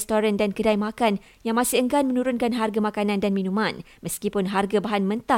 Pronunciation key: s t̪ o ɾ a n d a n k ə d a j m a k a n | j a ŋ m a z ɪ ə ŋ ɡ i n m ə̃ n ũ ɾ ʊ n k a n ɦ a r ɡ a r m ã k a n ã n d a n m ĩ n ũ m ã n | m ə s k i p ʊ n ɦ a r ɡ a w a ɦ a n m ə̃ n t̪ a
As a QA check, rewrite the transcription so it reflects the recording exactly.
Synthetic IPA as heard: s t̪ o ɾ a n d a n k ə d a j m a k a n | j a ŋ m a s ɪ ə ŋ ɡ a n m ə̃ n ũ ɾ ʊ n k a n ɦ a r ɡ a m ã k a n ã n d a n m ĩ n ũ m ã n | m ə s k i p ʊ n ɦ a r ɡ a b a ɦ a n m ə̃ n t̪ a